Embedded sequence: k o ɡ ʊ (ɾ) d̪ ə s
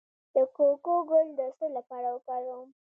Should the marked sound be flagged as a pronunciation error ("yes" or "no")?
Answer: yes